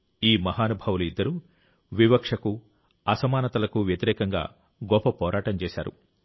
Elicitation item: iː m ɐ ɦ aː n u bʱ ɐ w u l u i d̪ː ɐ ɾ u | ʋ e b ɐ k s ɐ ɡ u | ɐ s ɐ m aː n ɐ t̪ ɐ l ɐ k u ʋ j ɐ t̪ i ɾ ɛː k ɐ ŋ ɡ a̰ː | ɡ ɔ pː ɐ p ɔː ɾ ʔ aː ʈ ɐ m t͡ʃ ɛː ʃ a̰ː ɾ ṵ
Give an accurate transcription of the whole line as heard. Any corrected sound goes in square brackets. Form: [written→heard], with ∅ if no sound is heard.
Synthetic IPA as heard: iː m ɐ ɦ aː n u bʱ ɐ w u l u i d̪ː ɐ ɾ u | ʋ [e→i] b ɐ k [s→ʂ] ɐ [ɡ→k] u | ɐ s ɐ m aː n ɐ t̪ ɐ l ɐ k u ʋ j ɐ t̪ i ɾ ɛː k ɐ ŋ ɡ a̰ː | ɡ ɔ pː ɐ p ɔː ɾ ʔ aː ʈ ɐ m t͡ʃ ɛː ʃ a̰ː ɾ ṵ